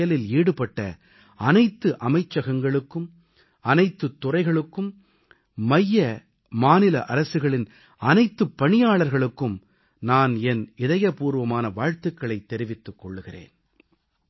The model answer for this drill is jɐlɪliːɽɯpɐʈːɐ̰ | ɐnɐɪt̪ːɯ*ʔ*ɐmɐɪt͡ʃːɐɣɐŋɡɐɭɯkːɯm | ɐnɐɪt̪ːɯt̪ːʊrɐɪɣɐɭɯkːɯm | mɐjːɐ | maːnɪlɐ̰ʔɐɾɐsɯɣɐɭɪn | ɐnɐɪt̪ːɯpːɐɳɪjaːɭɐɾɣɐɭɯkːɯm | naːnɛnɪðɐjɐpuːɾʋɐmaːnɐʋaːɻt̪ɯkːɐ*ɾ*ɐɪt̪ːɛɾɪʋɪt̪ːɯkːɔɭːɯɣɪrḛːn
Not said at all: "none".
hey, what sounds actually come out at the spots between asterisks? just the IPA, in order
ʔ, ɭ

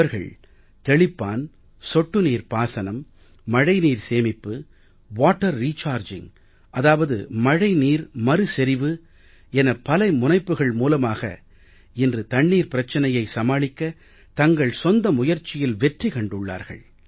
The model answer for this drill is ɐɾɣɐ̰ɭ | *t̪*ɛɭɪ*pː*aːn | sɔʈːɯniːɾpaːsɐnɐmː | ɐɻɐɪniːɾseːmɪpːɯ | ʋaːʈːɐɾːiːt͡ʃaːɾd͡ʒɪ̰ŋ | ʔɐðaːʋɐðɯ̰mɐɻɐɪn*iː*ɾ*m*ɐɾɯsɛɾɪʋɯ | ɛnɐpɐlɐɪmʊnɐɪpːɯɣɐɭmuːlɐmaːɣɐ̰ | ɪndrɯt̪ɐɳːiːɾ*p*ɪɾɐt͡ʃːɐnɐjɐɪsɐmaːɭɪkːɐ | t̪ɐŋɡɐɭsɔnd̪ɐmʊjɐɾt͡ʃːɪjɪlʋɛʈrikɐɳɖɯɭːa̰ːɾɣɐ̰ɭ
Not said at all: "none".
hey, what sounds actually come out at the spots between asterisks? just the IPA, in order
t̪, pː, iː, m, p

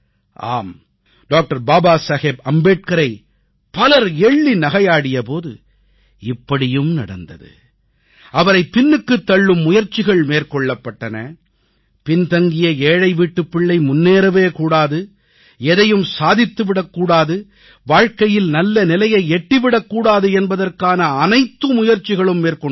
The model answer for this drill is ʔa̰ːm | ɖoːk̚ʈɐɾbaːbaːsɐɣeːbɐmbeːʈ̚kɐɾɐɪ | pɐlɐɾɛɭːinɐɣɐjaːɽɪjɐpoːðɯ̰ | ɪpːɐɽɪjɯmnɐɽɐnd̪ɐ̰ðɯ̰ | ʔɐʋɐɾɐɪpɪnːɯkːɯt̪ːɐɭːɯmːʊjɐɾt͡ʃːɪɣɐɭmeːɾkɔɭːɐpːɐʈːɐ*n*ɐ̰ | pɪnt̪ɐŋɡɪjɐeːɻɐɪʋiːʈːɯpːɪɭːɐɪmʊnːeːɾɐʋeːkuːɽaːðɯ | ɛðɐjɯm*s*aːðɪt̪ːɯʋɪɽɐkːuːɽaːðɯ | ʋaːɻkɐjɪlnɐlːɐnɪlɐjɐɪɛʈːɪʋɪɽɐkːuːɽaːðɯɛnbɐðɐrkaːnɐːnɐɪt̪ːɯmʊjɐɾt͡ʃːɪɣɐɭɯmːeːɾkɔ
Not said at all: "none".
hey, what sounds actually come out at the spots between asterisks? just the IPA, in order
n, s

